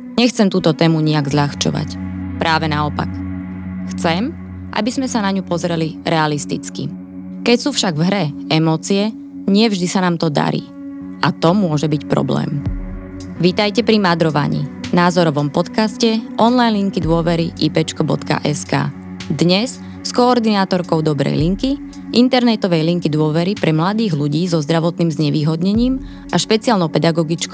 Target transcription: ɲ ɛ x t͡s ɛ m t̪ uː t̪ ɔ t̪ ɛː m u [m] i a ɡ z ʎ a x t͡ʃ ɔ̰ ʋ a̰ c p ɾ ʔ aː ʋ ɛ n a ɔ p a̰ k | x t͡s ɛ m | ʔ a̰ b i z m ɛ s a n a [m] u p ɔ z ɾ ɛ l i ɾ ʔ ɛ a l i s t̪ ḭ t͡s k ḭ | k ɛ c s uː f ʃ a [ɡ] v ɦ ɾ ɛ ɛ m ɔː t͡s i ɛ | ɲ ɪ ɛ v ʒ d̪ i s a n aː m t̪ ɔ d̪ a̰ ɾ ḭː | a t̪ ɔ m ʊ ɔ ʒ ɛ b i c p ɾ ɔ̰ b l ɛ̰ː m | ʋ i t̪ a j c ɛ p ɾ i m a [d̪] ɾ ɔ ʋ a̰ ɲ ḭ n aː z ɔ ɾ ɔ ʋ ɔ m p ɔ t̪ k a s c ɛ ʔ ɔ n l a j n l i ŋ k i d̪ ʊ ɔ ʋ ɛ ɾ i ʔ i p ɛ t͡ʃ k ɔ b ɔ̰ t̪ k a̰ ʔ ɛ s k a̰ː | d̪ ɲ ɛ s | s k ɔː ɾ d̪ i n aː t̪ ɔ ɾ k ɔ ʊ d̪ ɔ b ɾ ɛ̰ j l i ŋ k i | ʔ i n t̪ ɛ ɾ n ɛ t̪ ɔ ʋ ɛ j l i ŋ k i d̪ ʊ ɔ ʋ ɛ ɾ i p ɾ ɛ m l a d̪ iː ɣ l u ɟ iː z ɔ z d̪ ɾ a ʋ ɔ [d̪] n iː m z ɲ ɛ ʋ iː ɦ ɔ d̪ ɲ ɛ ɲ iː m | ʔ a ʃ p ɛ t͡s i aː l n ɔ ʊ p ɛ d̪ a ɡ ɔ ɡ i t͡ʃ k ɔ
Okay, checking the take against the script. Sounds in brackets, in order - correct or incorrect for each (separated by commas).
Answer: incorrect, incorrect, correct, correct, incorrect